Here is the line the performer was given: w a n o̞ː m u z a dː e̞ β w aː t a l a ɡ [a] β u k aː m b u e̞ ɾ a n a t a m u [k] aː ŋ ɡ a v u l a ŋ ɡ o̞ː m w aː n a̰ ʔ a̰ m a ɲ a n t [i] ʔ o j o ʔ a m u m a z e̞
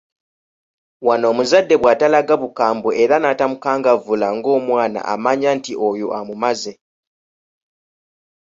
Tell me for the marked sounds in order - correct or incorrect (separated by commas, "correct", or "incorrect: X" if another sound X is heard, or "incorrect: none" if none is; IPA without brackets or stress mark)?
correct, correct, correct